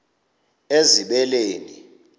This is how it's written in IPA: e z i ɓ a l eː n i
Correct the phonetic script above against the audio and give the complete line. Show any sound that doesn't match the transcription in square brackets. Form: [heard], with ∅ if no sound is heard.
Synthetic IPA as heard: e z i ɓ [ɛ] l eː n i